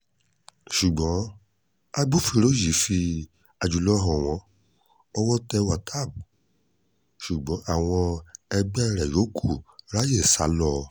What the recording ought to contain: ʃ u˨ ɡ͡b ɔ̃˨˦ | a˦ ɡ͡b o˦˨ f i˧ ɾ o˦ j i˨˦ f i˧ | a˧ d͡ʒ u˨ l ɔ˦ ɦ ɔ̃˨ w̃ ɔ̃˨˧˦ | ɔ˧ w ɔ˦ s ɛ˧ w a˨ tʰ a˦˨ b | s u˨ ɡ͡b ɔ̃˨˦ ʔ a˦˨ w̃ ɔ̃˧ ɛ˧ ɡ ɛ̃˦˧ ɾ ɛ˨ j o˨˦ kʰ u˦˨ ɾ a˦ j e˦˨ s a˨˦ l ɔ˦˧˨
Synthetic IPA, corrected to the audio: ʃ u˨ ɡ͡b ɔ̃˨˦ | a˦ ɡ͡b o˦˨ f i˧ ɾ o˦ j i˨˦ f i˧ | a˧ d͡ʒ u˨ l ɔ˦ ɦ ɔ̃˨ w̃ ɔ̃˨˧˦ | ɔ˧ w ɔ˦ t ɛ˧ w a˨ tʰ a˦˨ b | ʃ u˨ ɡ͡b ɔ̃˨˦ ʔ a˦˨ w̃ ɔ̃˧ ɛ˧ ɡ͡b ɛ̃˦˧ ɾ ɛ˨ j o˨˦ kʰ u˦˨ ɾ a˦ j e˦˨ s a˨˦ l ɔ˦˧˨